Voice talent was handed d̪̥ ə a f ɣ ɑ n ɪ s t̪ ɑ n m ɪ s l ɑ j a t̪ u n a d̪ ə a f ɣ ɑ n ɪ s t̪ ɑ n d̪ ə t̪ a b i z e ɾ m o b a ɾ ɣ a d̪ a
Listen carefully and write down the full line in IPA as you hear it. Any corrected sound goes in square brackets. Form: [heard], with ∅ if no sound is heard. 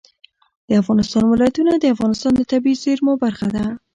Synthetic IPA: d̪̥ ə a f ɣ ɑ n ɪ s t̪ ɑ n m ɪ [∅] l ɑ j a t̪ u n a d̪ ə a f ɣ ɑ n ɪ s t̪ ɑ n d̪ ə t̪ a b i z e ɾ m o b a ɾ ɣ a d̪ a